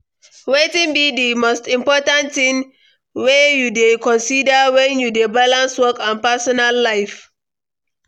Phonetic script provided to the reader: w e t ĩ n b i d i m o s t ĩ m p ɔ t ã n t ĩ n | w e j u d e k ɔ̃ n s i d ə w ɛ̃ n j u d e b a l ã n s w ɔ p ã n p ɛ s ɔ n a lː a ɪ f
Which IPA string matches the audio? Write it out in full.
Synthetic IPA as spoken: w e t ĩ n b i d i m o s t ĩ m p ɔ t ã n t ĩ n | w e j u d e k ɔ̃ n s i d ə w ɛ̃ n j u d e b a l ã n s w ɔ k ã n p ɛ s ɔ n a lː a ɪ f